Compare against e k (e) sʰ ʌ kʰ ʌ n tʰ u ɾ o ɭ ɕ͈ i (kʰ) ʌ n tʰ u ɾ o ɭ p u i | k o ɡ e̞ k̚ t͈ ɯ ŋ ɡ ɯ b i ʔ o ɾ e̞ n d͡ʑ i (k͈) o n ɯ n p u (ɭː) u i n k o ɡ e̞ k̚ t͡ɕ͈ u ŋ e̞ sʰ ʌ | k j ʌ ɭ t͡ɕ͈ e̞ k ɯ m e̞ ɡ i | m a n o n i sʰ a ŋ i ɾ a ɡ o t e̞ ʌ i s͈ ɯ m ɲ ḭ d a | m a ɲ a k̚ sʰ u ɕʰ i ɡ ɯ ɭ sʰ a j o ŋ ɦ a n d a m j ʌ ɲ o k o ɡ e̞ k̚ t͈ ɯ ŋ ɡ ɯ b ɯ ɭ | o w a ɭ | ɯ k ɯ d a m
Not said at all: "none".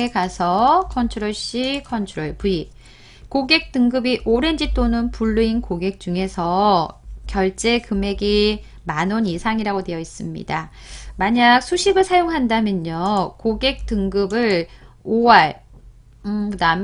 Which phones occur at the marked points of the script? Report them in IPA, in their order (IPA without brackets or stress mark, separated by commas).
a, kʰ, t͈, ɭː